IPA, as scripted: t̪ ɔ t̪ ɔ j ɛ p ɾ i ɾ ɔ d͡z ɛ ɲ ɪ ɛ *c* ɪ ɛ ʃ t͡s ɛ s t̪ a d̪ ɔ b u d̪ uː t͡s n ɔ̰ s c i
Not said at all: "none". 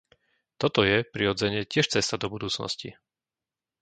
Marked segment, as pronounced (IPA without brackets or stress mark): c